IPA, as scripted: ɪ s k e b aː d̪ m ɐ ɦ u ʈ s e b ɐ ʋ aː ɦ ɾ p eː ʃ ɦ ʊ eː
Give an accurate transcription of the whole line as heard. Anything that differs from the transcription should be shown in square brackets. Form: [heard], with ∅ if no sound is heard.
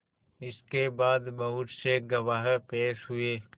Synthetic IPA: ɪ s k e b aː d̪ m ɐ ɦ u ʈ s e [ɡ] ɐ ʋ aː ɦ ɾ p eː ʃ ɦ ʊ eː

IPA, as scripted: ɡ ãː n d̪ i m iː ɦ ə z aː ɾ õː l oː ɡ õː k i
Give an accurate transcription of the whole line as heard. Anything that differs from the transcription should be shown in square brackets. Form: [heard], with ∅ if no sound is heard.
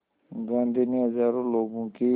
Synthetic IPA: ɡ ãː n d̪ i [n] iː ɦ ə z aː ɾ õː l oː ɡ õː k i

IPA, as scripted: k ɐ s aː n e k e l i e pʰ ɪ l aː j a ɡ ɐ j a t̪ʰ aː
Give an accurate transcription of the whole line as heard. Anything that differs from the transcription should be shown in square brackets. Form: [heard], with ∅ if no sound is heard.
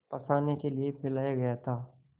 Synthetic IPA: [p] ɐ s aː n e k e l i e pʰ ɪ l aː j a ɡ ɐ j a t̪ʰ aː

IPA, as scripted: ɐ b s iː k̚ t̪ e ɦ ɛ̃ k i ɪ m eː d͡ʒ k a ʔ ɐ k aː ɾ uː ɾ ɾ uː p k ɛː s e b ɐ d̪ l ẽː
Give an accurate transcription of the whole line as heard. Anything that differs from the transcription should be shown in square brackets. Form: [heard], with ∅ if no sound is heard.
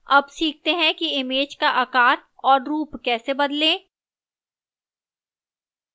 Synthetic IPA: ɐ b s iː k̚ t̪ e ɦ ɛ̃ k i ɪ m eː d͡ʒ k a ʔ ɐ k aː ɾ [ɔː] ɾ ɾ uː p k ɛː s e b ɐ d̪ l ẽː

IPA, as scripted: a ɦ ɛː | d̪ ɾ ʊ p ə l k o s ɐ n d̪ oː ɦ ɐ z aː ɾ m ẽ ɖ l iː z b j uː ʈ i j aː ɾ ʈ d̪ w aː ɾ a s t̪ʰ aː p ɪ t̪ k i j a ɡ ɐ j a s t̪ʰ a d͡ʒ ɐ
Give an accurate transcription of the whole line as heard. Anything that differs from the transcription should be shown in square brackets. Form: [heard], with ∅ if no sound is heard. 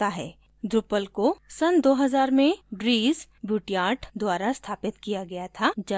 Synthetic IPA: a ɦ ɛː | d̪ ɾ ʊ p ə l k o s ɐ n d̪ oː ɦ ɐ z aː ɾ m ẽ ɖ [ɾ] iː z b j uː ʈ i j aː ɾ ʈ d̪ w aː ɾ a s t̪ʰ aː p ɪ t̪ k i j a ɡ ɐ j a [∅] t̪ʰ a d͡ʒ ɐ

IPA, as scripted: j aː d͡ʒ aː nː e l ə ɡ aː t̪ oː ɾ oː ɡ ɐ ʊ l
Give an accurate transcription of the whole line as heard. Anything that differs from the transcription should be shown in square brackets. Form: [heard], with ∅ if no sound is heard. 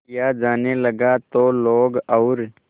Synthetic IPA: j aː d͡ʒ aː [n] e l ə ɡ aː t̪ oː [l] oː ɡ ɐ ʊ [ɾ]

